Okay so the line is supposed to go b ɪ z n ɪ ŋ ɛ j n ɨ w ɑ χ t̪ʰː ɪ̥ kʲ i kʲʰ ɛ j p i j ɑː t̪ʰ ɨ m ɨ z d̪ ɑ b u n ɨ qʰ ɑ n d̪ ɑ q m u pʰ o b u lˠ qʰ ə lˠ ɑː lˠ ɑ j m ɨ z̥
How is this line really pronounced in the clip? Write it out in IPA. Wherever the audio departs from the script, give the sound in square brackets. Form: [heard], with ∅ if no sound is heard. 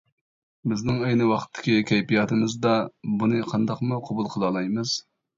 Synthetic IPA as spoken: b ɪ z n ɪ ŋ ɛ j n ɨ w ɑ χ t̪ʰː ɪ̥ kʲ i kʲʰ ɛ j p i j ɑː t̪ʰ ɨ m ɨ z d̪ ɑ b u n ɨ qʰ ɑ n d̪ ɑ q m u [qʰ] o b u lˠ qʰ ə lˠ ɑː lˠ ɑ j m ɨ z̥